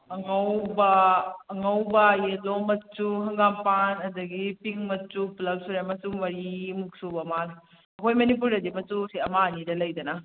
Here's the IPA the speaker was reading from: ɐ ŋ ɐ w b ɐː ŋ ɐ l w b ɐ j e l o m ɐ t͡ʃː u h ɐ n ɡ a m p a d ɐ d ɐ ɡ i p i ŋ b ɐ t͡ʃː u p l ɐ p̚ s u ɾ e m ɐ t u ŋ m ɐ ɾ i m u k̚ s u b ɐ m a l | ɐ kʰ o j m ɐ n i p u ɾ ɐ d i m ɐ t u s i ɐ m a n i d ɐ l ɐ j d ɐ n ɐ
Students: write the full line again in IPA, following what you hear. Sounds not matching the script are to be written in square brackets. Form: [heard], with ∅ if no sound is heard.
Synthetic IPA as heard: ɐ ŋ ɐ w b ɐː ŋ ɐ [∅] w b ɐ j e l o m ɐ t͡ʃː u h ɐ [ŋ] ɡ a m p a [n] ɐ d ɐ ɡ i p i ŋ [m] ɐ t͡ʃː u p l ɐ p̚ s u ɾ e m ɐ [s] u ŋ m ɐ ɾ i m u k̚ s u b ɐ m a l | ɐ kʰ o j m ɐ n i p u ɾ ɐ d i m ɐ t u s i ɐ m a n i d ɐ l ɐ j d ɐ n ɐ